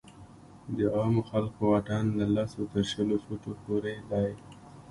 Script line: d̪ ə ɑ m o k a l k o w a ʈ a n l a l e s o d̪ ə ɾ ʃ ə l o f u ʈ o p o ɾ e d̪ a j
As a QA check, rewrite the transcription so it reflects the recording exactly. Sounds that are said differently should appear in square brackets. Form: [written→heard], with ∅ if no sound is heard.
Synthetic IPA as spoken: d̪ ə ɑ m o [k→x] a l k o w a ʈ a n l a l [e→a] s o [d̪→t̪] ə ɾ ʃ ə l o f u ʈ o p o ɾ e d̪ a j